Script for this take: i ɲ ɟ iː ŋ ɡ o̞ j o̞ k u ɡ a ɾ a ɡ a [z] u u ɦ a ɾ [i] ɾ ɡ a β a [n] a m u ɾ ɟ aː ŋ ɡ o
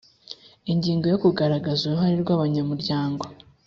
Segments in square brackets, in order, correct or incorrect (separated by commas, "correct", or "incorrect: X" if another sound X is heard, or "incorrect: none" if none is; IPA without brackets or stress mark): correct, correct, incorrect: ɲ